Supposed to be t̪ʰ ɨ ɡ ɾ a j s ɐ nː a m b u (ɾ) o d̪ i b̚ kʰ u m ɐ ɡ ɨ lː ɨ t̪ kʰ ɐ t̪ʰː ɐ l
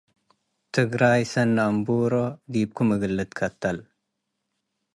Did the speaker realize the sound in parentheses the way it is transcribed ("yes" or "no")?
yes